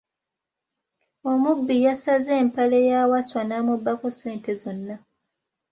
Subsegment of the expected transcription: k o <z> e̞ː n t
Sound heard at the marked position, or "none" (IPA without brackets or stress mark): s